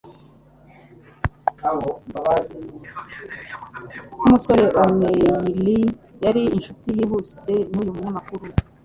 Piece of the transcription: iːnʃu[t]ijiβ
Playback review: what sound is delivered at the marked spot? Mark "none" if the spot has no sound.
t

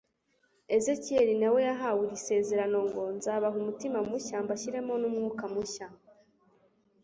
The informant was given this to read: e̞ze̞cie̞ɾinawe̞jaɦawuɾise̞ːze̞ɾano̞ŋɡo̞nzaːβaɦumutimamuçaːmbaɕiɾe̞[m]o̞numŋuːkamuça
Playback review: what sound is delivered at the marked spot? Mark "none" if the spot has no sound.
m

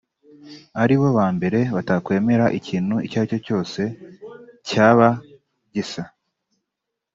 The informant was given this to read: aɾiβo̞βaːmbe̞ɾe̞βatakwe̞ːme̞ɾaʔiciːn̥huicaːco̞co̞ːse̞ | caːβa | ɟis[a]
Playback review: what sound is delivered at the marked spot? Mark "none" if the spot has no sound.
a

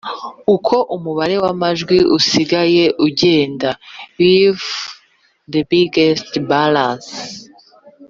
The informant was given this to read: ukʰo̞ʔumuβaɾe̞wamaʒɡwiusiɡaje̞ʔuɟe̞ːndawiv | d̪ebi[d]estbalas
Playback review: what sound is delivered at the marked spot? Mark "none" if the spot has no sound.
ɡ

